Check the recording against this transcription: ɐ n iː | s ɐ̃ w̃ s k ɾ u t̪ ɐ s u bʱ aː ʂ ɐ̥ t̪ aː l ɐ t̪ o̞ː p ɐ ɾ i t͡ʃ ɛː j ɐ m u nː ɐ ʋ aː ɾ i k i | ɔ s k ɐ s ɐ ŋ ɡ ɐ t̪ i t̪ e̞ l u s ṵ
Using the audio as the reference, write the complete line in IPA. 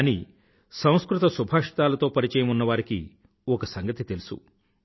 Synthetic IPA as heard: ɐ n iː | s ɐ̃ w̃ s k ɾ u t̪ ɐ s u bʱ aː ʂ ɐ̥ t̪ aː l ɐ t̪ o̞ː p ɐ ɾ i t͡ʃ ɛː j ɐ m u nː ɐ ʋ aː ɾ i k i | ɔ k ɐ s ɐ ŋ ɡ ɐ t̪ i t̪ e̞ l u s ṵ